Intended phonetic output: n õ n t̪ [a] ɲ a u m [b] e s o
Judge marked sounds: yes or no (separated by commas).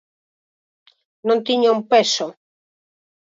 no, no